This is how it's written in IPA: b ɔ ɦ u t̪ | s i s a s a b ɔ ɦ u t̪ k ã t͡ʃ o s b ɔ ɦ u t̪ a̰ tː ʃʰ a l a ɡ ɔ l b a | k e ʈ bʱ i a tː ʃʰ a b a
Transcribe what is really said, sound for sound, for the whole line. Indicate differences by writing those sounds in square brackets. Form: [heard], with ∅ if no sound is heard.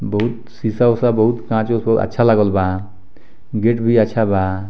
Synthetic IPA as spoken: b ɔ ɦ u t̪ | s i s a s a b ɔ ɦ u t̪ k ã t͡ʃ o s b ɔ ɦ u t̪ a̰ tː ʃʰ a l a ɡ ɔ l b a | [ɡ] e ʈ bʱ i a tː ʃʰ a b a